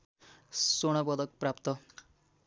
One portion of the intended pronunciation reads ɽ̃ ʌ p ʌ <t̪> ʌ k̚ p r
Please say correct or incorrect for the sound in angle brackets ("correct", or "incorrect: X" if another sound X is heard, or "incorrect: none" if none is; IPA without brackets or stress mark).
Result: incorrect: d̪